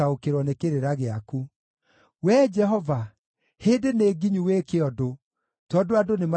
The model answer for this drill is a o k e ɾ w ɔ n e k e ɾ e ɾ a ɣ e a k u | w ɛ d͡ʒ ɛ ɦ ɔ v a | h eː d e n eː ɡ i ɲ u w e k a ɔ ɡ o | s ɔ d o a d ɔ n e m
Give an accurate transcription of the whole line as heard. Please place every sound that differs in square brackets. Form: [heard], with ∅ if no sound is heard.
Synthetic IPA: a o k e ɾ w ɔ n e k e ɾ e ɾ a ɣ e a k u | w ɛ d͡ʒ ɛ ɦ ɔ v a | h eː d e n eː ɡ i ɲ u w e k [e] ɔ [d] o | [t] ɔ d o a d [o] n e m